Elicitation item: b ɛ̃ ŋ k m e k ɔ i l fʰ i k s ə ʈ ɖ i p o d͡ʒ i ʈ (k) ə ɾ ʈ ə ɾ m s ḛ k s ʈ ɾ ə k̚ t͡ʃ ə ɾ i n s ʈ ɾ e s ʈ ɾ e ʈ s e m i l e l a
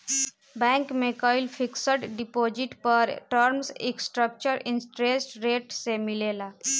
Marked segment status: incorrect: p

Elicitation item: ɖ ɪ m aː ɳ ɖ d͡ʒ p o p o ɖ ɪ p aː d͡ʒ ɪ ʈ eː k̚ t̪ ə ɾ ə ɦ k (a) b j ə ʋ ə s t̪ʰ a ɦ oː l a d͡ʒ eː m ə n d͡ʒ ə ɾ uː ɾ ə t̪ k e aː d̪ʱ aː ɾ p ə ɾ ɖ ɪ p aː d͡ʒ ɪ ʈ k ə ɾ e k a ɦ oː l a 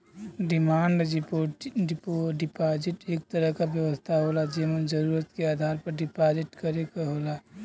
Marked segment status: correct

